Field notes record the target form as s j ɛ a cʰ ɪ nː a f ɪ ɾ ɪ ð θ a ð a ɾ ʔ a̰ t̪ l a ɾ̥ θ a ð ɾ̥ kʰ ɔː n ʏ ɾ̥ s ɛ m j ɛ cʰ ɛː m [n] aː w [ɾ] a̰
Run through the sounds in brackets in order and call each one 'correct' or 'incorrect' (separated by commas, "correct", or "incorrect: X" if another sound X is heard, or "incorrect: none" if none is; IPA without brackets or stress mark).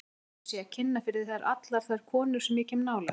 correct, incorrect: l